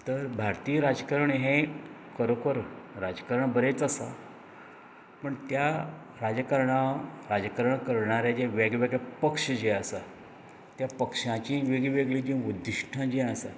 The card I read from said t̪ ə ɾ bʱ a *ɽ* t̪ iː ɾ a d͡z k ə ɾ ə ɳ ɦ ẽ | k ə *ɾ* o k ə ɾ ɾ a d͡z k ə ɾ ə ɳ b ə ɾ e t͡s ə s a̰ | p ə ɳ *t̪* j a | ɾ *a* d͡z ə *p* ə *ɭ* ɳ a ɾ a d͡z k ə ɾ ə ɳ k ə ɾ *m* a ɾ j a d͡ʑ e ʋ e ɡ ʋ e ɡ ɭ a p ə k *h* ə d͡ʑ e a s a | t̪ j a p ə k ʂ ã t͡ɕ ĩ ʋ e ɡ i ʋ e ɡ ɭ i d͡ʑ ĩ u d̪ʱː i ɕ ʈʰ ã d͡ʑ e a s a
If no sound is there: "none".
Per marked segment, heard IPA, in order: ɾ, ɾ, t̪, a, k, ɾ, ɳ, ʂ

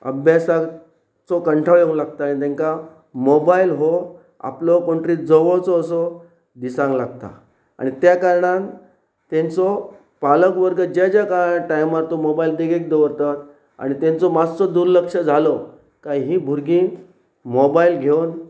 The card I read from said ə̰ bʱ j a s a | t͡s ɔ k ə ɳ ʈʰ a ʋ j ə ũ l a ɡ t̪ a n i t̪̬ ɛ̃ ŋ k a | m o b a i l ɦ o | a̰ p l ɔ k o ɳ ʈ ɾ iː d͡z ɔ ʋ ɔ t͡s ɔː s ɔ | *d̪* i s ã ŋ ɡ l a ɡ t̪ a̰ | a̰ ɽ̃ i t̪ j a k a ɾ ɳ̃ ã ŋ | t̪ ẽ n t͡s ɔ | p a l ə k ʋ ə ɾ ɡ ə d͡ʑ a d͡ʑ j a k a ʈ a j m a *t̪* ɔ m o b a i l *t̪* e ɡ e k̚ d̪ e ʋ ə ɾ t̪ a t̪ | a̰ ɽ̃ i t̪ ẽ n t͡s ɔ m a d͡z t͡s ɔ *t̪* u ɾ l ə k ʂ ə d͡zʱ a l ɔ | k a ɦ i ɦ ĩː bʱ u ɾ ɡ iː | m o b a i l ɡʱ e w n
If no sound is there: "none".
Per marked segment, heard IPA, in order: d̪, t̪, d̪, d̪

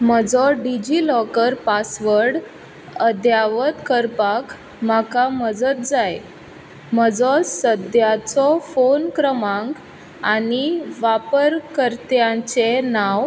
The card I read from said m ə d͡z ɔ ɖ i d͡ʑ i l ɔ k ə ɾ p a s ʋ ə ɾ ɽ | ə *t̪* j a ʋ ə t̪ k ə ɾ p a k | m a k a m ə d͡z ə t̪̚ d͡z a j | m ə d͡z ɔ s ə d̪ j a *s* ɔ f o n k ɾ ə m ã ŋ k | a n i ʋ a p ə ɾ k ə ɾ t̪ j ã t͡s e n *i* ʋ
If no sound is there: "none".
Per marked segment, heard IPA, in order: d̪, t͡s, a

